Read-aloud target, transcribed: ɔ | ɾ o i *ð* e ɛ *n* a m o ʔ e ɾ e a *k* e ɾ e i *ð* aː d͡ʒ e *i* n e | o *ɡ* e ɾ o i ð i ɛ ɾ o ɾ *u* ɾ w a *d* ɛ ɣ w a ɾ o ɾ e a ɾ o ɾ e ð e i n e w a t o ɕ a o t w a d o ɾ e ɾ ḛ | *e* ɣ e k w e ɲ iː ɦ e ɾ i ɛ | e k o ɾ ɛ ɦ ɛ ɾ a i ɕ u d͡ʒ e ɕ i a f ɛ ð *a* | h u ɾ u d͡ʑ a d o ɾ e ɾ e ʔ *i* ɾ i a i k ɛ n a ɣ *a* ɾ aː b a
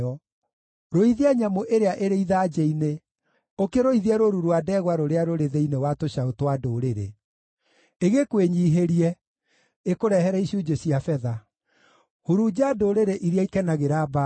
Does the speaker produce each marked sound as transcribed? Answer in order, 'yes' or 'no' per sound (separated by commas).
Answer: yes, no, no, yes, yes, no, yes, yes, yes, yes, yes, no